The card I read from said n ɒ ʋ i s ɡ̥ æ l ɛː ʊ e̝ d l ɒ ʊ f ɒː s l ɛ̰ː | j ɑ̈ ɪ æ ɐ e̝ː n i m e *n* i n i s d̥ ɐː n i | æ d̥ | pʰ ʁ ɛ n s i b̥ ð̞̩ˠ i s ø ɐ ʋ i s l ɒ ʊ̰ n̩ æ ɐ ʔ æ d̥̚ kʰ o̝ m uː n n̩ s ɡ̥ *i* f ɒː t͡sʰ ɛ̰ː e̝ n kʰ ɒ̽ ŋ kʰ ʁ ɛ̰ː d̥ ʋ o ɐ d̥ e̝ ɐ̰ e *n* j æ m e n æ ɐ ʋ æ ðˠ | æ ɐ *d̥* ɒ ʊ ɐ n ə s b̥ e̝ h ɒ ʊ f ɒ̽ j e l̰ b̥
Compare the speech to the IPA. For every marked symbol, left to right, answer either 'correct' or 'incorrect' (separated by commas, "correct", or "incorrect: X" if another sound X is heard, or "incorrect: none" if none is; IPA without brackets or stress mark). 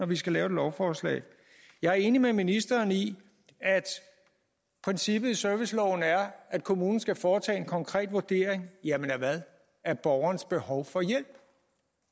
incorrect: m, incorrect: æ, incorrect: ŋ, incorrect: b̥